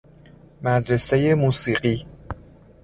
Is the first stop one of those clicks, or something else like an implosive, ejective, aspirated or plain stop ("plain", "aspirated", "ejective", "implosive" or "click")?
plain